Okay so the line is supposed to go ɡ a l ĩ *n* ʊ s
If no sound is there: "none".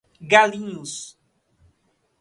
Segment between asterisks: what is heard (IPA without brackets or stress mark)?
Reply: ɲ